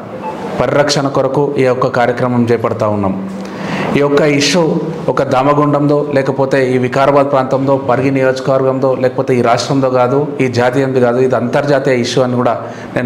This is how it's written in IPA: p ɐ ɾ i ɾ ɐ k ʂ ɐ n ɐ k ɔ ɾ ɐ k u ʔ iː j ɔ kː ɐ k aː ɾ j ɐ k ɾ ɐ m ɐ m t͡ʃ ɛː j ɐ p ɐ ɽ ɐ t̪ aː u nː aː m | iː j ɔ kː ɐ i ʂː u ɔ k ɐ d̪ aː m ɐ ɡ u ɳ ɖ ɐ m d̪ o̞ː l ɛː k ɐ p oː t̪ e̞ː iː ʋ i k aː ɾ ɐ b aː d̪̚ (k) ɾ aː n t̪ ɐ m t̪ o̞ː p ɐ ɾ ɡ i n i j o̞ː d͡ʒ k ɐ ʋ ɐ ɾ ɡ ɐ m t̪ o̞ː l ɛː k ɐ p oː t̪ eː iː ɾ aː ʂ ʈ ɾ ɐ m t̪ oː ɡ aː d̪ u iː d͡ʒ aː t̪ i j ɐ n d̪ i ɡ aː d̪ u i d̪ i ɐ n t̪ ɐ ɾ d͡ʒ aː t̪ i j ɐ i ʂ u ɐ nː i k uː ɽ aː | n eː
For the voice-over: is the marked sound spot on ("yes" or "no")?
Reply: no